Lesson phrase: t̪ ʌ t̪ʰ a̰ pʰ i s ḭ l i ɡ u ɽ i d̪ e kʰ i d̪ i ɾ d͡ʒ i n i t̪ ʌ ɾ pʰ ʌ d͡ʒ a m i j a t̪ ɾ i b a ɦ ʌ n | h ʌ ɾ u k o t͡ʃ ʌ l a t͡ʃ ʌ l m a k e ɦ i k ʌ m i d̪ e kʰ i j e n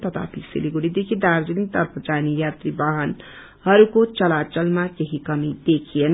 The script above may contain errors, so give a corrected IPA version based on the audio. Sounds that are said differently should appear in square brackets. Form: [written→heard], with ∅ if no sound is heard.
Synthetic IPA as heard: t̪ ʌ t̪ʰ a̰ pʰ i s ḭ l i ɡ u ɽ i d̪ e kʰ i d̪ [i→a] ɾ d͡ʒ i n i t̪ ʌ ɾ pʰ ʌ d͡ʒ a [m→n] i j a t̪ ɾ i b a ɦ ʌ n | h ʌ ɾ u k o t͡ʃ ʌ l a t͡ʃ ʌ l m a k e ɦ i k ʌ m i d̪ e kʰ i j e n